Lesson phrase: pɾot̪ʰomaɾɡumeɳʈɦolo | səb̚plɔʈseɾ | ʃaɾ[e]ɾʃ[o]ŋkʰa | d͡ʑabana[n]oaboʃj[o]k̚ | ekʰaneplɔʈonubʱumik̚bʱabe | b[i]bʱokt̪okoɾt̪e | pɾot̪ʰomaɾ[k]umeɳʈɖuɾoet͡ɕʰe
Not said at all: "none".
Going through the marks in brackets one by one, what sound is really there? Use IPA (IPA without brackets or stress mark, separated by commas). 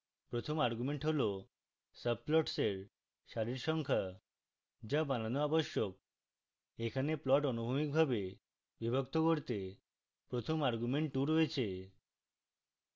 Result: i, ɔ, n, o, i, ɡ